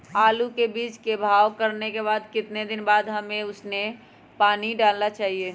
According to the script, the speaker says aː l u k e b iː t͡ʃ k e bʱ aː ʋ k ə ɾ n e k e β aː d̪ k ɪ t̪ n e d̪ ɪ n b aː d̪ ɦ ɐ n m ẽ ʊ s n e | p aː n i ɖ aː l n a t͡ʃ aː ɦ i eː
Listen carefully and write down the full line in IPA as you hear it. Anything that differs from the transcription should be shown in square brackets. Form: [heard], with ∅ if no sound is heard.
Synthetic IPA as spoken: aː l u k e b iː t͡ʃ k e bʱ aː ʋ k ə ɾ n e k e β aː d̪ k ɪ t̪ n e d̪ ɪ n b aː d̪ ɦ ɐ [∅] m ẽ ʊ s n e | p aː n i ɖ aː l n a t͡ʃ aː ɦ i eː